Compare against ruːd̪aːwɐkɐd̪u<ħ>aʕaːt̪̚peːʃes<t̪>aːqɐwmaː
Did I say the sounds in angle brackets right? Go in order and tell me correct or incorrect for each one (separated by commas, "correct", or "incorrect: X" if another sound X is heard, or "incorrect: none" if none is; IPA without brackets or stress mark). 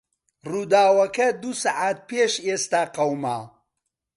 incorrect: s, correct